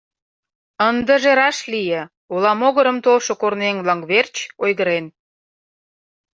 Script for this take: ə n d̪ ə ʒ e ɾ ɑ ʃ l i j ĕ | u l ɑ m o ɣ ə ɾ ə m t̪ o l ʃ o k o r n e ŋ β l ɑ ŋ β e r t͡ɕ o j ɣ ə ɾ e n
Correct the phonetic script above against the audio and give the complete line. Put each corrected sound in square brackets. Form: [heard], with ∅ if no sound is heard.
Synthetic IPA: ə n d̪ ə ʒ e ɾ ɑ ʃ l i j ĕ | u l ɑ m o ɣ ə ɾ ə m t̪ o l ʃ o k o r n e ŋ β l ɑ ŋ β e r t͡ɕ o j ɣ ə ɾ e n

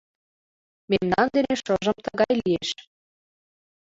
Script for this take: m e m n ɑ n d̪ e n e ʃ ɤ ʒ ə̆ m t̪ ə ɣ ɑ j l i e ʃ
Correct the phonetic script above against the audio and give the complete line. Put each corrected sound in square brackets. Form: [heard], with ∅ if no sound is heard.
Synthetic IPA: m e m n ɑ n d̪ e n e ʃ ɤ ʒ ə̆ m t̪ ə ɣ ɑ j l i e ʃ

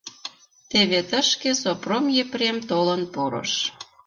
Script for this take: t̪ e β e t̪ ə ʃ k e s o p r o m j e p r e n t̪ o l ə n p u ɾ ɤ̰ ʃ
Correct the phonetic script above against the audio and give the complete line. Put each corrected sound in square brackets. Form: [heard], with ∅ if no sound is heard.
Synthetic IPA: t̪ e β e t̪ ə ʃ k e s o p r o m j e p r e [m] t̪ o l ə n p [o] ɾ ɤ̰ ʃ

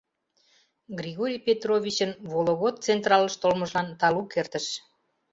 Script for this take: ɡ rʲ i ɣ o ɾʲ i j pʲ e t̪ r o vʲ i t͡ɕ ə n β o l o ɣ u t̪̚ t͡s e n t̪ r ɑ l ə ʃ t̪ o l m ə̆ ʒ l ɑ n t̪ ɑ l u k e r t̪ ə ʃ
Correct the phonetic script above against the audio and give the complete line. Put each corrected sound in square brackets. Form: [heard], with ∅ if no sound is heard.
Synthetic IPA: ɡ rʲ i ɣ o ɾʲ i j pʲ e t̪ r o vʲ i t͡ɕ ə n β o l o ɣ [o] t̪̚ t͡s e n t̪ r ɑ l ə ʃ t̪ o l m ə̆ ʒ l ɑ n t̪ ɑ l u k e r t̪ ə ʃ

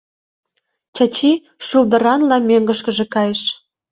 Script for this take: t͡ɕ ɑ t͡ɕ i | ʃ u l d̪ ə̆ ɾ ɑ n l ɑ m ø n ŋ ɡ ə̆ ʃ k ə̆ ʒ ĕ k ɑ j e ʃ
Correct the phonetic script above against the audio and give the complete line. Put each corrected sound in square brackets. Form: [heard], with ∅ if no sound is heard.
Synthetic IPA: t͡ɕ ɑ t͡ɕ i | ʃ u l d̪ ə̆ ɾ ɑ n l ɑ m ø [∅] ŋ ɡ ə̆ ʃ k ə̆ ʒ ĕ k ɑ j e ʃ

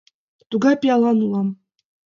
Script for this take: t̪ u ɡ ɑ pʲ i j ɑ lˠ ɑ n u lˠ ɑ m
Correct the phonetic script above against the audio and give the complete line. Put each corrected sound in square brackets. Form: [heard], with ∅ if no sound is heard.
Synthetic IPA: t̪ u ɡ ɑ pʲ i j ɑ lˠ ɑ n u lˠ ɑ m

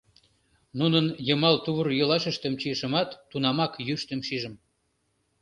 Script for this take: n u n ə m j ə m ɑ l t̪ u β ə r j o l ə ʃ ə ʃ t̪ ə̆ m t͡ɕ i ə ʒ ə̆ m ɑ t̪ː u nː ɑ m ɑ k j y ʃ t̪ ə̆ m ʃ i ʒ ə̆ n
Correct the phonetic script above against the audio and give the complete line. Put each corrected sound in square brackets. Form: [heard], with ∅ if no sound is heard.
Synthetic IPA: n u n ə [n] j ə m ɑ l t̪ u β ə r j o l [ɑ] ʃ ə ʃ t̪ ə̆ m t͡ɕ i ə [ʃ] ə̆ m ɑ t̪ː u [n] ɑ m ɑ k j y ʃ t̪ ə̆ m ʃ i ʒ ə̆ [m]

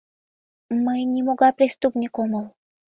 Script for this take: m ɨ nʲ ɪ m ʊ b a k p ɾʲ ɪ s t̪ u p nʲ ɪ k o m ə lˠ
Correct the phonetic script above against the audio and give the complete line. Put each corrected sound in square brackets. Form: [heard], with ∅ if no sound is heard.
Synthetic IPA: m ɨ nʲ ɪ m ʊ [ɡ] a [∅] p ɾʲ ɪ s t̪ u p nʲ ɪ k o m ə lˠ

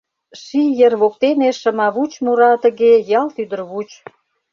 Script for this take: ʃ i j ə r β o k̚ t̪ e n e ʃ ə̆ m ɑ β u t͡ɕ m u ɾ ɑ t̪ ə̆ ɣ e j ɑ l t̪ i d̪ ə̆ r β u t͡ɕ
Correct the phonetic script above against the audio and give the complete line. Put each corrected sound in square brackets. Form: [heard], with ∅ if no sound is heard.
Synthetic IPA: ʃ i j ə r β o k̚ t̪ e n e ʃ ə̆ m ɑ β u t͡ɕ m u ɾ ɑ t̪ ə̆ ɣ e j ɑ l t̪ [y] d̪ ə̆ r β u t͡ɕ

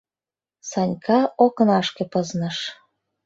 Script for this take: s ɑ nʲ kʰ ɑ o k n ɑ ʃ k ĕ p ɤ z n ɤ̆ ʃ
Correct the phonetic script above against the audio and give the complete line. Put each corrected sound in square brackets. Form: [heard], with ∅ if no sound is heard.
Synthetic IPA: s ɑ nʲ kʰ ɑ o k n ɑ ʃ k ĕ p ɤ z n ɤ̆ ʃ

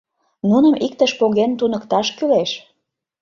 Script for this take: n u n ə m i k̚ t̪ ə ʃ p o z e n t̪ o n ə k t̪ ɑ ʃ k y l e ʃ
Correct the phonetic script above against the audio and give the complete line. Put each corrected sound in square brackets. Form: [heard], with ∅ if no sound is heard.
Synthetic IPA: n u n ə m i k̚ t̪ ə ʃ p o [ɣ] e n t̪ [u] n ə k t̪ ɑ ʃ k y l e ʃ

